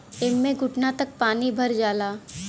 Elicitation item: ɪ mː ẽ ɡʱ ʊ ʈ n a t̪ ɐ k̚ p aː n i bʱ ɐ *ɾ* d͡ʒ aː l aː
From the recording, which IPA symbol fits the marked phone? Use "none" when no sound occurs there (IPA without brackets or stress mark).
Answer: ɾ